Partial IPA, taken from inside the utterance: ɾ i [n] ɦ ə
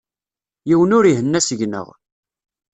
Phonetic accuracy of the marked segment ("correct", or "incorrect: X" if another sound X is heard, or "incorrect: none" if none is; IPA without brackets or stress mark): incorrect: none